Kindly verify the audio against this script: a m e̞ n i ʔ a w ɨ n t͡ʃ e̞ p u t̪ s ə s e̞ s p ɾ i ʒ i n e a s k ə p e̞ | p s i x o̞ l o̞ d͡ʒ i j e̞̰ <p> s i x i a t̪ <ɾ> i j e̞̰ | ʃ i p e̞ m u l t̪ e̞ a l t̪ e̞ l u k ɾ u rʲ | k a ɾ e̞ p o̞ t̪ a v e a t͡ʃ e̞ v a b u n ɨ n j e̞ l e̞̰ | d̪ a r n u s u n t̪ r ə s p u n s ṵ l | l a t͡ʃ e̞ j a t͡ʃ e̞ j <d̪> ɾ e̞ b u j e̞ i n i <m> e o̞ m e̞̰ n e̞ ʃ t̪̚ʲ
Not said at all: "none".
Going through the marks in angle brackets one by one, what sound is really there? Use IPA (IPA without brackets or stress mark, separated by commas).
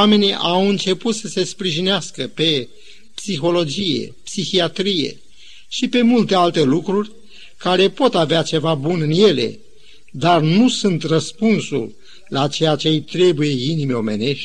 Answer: p, ɾ, t̪, m